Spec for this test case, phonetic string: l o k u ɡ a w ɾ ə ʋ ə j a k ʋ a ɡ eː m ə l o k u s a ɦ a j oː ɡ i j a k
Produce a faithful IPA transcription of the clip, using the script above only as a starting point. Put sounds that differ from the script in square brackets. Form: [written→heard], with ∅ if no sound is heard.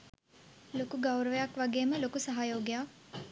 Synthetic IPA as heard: l o k u ɡ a w ɾ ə ʋ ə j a k ʋ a ɡ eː m ə l o k u s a ɦ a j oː ɡ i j a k